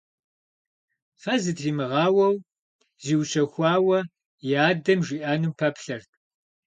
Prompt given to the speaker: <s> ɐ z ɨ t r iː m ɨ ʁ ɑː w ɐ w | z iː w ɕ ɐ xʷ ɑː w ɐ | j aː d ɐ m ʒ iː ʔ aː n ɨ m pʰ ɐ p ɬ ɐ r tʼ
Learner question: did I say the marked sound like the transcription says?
no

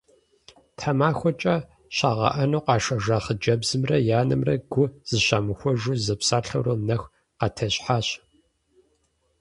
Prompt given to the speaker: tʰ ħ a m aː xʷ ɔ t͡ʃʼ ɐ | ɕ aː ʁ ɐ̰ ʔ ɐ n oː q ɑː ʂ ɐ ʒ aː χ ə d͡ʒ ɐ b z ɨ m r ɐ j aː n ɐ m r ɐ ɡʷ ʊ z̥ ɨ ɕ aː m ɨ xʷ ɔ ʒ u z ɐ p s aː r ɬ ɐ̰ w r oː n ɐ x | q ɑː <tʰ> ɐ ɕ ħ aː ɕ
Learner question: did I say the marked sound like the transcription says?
yes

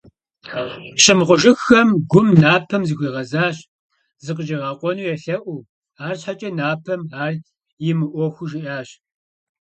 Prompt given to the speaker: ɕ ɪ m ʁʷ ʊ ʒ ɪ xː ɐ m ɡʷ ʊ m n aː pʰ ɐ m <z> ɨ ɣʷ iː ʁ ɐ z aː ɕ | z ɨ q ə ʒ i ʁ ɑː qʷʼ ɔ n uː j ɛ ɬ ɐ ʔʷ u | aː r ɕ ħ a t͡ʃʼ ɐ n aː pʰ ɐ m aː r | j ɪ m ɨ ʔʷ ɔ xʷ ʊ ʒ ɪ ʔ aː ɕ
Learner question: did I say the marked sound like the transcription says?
yes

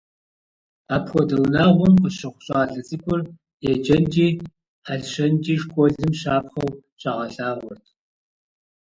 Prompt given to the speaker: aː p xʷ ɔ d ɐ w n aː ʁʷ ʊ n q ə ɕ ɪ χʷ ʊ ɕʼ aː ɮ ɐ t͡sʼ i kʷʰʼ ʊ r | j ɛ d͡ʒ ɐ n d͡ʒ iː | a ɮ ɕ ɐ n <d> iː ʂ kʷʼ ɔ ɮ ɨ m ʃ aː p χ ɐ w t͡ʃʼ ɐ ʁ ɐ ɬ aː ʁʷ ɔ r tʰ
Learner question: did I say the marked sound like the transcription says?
no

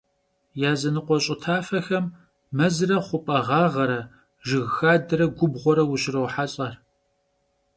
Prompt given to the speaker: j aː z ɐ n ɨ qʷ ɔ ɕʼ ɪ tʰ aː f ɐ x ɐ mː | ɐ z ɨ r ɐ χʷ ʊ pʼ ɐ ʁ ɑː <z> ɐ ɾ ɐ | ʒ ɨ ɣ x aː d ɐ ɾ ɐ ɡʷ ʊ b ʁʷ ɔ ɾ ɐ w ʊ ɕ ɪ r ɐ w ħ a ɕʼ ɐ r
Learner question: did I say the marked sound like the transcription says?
no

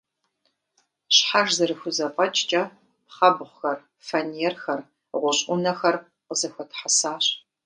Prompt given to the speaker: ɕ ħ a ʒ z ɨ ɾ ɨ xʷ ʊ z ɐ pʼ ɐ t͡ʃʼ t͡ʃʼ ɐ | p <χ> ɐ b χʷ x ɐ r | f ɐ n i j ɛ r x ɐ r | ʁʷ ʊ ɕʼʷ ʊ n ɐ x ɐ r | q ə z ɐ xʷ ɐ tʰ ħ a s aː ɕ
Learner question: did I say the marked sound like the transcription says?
yes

